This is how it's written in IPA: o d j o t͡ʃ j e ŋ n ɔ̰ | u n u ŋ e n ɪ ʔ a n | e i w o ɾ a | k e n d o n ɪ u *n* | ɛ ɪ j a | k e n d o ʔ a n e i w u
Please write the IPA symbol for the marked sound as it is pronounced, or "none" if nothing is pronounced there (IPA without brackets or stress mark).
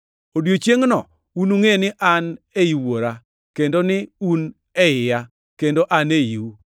n